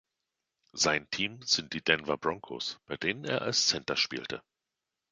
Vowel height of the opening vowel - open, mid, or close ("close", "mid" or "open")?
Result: open